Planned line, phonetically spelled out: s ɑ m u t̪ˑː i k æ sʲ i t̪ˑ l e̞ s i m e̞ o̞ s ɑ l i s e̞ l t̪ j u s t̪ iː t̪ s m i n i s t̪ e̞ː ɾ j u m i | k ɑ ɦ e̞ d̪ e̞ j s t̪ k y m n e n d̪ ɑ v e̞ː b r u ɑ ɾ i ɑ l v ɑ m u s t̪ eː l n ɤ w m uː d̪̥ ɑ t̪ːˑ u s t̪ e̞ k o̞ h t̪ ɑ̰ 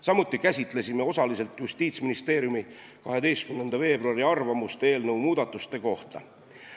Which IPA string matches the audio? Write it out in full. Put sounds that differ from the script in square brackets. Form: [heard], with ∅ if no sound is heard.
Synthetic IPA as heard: s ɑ m u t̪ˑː i k æ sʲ i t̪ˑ l e̞ s i m e̞ o̞ s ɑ l i s e̞ l t̪ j u s t̪ iː t̪ s m i n i s t̪ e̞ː ɾ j u m i | k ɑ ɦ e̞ d̪ e̞ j s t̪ k y m n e n d̪ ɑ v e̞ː b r u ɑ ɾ i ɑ [r] v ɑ m u s t̪ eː l n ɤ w m uː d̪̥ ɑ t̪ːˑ u s t̪ e̞ k o̞ h t̪ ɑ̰